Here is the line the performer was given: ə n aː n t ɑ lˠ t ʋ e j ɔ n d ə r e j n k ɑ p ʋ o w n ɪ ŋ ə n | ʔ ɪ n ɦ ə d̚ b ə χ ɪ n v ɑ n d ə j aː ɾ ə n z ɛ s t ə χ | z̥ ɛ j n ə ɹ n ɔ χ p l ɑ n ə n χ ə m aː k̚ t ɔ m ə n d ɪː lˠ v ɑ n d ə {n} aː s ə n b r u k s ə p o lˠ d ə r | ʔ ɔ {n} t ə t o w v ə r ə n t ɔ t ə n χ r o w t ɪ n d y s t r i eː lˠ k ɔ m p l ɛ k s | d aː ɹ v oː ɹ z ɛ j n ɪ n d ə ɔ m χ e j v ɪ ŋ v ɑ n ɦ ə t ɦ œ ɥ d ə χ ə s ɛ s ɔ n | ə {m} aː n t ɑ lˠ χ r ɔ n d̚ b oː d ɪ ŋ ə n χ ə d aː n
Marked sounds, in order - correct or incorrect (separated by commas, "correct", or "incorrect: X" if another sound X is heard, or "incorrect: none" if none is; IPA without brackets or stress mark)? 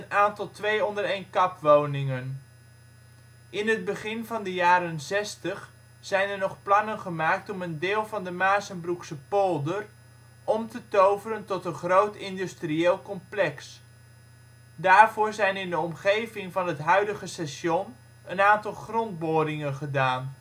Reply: incorrect: m, incorrect: m, incorrect: n